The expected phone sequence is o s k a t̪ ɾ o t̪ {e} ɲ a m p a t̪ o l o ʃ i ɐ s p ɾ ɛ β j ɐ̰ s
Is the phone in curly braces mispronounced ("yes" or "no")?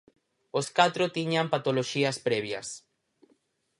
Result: yes